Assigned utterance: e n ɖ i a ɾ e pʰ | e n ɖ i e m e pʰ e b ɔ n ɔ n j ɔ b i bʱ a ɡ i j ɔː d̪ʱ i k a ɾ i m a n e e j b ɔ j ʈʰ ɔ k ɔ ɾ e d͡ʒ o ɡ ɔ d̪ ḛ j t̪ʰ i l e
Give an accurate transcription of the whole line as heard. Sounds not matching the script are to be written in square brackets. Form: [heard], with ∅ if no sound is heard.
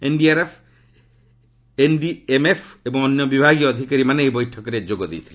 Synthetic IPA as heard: e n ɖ i a ɾ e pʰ | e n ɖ i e m e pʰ e b ɔ [ŋ] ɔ n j ɔ b i bʱ a ɡ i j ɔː d̪ʱ i k a ɾ i m a n e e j b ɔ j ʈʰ ɔ k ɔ ɾ e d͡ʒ o ɡ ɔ d̪ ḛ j t̪ʰ i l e

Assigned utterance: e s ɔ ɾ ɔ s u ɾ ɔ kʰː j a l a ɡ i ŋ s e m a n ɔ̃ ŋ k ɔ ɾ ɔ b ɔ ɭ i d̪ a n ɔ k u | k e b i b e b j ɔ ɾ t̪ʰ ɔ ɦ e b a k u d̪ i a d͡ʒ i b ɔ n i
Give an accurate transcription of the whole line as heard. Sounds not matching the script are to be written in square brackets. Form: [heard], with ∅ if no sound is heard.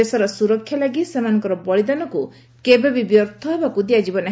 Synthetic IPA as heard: e s ɔ ɾ ɔ s u ɾ ɔ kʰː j a l a ɡ i [∅] s e m a n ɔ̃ ŋ k ɔ ɾ ɔ b ɔ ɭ i d̪ a n ɔ k u | k e b [e] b [i] b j ɔ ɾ t̪ʰ ɔ ɦ e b a k u d̪ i a d͡ʒ i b ɔ n [a]

